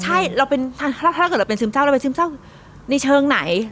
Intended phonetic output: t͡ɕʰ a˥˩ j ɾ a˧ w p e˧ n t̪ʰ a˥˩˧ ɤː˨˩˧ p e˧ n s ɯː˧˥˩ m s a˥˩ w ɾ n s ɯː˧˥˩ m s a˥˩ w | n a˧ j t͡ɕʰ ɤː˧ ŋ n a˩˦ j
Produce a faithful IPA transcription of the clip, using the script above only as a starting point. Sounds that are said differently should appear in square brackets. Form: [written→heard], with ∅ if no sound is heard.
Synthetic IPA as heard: t͡ɕʰ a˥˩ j ɾ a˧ w p e˧ n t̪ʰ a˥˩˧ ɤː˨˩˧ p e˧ n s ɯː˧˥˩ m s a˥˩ w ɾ n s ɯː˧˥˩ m s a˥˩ w | n a˧ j t͡ɕʰ ɤː˧ ŋ n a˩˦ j